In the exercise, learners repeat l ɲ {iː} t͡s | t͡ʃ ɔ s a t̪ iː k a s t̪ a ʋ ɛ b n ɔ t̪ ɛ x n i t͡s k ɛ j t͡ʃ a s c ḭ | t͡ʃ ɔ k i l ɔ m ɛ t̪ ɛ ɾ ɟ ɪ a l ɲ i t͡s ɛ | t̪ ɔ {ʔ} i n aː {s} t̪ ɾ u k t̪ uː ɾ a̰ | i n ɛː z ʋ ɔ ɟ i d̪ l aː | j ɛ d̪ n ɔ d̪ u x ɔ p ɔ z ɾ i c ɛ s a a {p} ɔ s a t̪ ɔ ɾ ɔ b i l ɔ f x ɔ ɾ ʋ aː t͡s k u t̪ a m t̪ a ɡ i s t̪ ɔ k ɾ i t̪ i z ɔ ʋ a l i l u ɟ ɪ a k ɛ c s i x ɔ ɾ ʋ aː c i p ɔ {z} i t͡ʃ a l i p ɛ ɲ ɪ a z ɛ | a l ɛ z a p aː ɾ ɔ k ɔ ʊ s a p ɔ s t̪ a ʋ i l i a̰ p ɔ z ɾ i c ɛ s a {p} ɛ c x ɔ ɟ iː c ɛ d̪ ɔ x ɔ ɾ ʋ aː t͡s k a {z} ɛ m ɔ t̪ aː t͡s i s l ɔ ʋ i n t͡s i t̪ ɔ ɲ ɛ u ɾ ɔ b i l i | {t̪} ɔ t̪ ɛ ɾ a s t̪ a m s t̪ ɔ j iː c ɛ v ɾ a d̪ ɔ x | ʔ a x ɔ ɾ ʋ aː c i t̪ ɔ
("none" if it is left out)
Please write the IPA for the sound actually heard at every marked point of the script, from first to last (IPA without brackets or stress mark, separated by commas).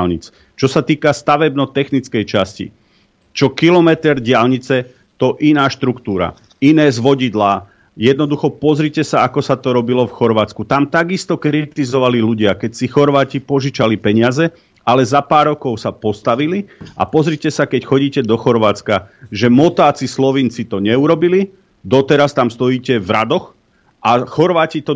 i, ʔ, ʃ, k, ʒ, k, ʒ, d̪